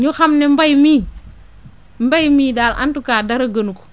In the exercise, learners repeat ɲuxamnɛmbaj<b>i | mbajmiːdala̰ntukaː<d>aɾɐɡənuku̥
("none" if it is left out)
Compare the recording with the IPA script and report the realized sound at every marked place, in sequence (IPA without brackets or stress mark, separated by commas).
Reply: m, d